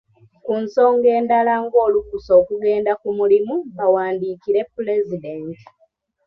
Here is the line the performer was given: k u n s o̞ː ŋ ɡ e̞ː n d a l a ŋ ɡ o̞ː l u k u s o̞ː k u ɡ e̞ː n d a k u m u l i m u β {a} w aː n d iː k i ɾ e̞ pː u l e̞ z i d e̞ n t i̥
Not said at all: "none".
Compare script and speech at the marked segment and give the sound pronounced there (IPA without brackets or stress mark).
a